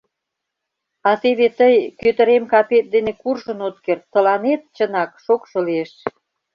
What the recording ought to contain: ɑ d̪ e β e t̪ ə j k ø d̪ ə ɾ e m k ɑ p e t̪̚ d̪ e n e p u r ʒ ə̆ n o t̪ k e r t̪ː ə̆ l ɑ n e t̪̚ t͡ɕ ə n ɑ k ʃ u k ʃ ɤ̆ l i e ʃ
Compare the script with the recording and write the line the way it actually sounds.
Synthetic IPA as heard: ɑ t̪ e β e t̪ ə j k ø t̪ ə ɾ e m k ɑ p e t̪̚ d̪ e n e k u r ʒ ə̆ n o t̪ k e r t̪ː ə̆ l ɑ n e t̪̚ t͡ɕ ə n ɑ k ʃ o k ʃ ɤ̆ l i e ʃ